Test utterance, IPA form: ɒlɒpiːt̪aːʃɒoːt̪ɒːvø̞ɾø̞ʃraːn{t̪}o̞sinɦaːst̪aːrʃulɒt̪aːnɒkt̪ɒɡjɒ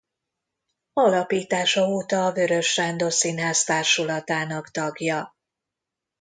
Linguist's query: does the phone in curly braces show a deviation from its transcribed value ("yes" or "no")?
yes